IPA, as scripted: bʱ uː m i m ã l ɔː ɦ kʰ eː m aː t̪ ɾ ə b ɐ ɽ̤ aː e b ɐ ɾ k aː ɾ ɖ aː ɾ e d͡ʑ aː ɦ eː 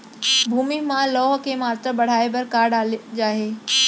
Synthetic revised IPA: bʱ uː m i m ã l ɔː ɦ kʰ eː m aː t̪ ɾ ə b ɐ ɽ̤ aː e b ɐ ɾ k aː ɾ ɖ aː l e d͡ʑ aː ɦ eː